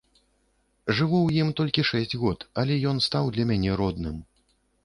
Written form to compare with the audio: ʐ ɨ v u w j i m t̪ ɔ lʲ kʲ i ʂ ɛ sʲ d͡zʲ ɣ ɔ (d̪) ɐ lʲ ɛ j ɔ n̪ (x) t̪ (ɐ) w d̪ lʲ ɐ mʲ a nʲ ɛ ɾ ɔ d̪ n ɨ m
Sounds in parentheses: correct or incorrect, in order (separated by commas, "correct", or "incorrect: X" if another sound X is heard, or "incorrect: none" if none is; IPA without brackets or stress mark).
incorrect: t̪, incorrect: s, incorrect: a